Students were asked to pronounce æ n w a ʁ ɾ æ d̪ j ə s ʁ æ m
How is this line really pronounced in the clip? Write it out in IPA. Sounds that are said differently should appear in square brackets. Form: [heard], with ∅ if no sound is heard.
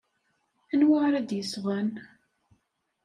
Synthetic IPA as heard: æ n w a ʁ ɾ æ d̪ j ə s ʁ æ [n]